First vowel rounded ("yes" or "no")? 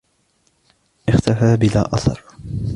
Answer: no